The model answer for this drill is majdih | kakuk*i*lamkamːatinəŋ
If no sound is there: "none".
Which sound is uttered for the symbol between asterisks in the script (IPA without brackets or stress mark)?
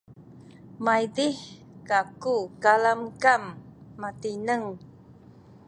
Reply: a